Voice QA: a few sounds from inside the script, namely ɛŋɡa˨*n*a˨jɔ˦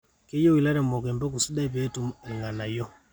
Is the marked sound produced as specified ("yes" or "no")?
yes